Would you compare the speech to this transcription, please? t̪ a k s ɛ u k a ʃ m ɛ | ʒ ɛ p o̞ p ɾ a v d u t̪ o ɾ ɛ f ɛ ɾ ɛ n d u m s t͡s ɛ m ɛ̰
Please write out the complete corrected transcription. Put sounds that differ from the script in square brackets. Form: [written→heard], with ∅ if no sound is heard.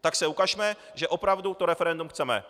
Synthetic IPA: t̪ a k s ɛ u k a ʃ m ɛ | ʒ ɛ [p→ʔ] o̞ p ɾ a v d u t̪ o ɾ ɛ f ɛ ɾ ɛ n d u m [s→x] t͡s ɛ m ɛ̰